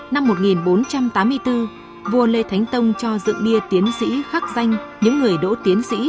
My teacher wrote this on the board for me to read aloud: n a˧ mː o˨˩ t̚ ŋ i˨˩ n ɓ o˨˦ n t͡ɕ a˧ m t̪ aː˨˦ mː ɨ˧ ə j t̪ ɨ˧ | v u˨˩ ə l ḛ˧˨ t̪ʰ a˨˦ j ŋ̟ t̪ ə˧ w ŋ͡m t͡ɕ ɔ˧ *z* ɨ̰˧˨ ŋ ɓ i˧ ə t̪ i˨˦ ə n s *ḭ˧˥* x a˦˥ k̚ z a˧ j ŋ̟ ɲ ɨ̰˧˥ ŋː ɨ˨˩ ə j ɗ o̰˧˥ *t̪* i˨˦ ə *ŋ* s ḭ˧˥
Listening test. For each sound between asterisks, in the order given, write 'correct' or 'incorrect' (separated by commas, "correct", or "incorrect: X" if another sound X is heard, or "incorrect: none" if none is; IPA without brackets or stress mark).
correct, correct, correct, incorrect: n